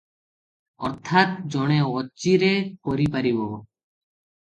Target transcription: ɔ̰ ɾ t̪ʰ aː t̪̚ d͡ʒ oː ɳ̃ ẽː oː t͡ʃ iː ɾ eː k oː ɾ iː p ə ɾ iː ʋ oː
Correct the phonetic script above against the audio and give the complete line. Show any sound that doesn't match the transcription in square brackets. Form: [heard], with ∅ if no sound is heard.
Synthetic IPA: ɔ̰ ɾ t̪ʰ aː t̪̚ d͡ʒ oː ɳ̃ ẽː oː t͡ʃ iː ɾ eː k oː ɾ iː p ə ɾ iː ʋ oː